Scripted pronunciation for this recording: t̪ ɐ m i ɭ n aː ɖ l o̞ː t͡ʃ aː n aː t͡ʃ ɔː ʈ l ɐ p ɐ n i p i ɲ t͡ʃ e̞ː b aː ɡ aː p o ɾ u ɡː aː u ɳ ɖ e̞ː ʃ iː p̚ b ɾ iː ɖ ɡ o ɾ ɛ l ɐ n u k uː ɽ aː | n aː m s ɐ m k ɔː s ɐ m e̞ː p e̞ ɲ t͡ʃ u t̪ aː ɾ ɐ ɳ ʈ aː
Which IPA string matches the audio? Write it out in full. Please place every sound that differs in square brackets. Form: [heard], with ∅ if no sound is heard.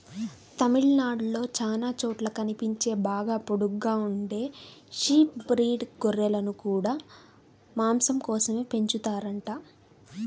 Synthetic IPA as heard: t̪ ɐ m i ɭ n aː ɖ l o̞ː t͡ʃ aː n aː t͡ʃ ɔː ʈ l ɐ [k] ɐ n i p i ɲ t͡ʃ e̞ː b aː ɡ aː p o [ɽ] u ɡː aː u ɳ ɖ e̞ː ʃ iː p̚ b ɾ iː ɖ ɡ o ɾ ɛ l ɐ n u k uː ɽ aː | [m] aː m s ɐ m k ɔː s ɐ m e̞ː p e̞ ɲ t͡ʃ u t̪ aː ɾ ɐ ɳ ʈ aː